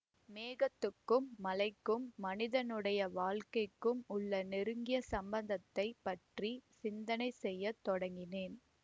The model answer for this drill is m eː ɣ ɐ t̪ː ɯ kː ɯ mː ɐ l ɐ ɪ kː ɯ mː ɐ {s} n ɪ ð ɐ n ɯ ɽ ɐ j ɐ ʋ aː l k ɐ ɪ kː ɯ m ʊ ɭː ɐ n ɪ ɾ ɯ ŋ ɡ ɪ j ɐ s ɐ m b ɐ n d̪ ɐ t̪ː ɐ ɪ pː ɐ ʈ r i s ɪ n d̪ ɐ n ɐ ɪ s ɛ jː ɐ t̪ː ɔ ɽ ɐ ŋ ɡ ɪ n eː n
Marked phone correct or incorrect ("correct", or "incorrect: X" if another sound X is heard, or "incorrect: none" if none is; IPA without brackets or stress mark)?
incorrect: none